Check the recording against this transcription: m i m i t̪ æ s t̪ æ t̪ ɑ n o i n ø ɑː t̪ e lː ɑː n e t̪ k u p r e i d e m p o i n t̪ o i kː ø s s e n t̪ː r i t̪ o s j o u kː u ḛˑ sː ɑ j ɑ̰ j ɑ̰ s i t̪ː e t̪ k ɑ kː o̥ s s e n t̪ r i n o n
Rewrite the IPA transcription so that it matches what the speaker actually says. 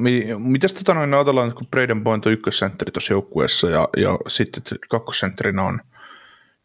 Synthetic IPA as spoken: m i m i t̪ æ s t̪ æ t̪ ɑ n o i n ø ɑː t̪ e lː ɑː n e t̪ k u p r e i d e m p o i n t̪ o y kː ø s s e n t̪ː r i t̪ o s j o u kː u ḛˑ sː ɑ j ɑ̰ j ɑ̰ s i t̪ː e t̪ k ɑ kː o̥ s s e n t̪ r i n o n